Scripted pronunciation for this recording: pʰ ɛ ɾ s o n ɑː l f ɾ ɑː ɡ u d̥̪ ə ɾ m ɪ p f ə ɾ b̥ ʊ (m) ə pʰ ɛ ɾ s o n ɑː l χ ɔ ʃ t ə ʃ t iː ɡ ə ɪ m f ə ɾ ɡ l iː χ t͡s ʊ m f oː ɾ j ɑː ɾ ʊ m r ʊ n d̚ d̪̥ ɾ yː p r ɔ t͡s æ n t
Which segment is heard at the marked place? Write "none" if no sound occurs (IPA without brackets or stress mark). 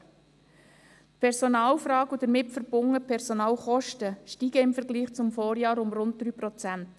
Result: ŋ